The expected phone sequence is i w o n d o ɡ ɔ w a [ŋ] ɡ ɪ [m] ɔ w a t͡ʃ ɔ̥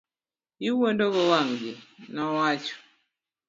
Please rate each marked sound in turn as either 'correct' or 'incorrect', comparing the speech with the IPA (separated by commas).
correct, incorrect